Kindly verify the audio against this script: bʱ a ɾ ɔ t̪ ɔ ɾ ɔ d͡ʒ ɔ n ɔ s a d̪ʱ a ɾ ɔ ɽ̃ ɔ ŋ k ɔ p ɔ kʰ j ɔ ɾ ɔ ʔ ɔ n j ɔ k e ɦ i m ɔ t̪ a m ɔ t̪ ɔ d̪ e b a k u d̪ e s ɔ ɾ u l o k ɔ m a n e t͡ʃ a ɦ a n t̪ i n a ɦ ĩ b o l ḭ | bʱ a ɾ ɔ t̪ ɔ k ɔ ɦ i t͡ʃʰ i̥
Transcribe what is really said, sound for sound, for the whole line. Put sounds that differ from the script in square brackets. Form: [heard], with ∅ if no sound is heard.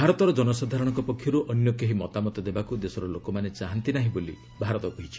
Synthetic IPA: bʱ a ɾ ɔ t̪ ɔ ɾ ɔ d͡ʒ ɔ n ɔ s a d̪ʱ a ɾ ɔ ɽ̃ ɔ ŋ k ɔ p ɔ kʰ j ɔ ɾ [u] ʔ ɔ n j ɔ k e ɦ i m ɔ t̪ a m ɔ t̪ ɔ d̪ e b a k u d̪ e s ɔ ɾ [ɔ] l o k ɔ m a n e t͡ʃ a ɦ a n t̪ i n a ɦ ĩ b o l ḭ | bʱ a ɾ ɔ t̪ ɔ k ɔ ɦ i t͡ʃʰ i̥